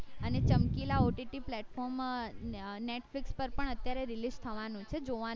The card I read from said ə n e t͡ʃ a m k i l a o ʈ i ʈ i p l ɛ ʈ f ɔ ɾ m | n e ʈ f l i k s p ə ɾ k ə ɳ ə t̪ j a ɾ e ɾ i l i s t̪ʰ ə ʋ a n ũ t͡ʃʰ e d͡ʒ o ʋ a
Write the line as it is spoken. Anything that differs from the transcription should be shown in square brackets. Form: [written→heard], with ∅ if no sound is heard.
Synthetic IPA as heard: ə n e t͡ʃ [a→ə] m k i l a o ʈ i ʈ i p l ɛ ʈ f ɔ ɾ m | n e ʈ f l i k s p ə ɾ [k→p] ə ɳ ə t̪ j a ɾ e ɾ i l i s t̪ʰ ə ʋ a n ũ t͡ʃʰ e d͡ʒ o ʋ a